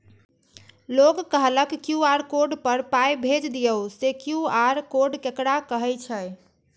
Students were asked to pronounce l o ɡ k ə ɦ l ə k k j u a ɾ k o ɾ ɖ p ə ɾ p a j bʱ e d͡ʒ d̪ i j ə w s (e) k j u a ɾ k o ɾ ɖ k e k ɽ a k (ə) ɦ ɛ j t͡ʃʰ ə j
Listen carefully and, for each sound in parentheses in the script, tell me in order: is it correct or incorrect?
correct, correct

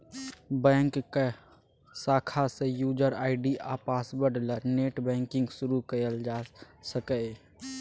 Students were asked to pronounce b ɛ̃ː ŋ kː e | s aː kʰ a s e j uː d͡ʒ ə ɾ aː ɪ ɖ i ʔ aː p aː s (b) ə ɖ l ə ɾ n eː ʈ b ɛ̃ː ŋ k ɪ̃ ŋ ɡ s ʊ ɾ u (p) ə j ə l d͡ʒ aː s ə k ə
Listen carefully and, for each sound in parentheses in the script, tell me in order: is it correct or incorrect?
correct, incorrect: k

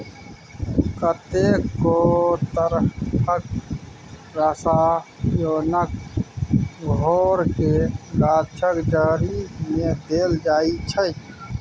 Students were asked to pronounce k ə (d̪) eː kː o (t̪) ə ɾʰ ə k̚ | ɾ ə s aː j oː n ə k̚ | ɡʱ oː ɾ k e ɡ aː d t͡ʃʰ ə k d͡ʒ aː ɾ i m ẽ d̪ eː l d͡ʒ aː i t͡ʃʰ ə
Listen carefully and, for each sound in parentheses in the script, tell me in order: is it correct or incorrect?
incorrect: t̪, correct

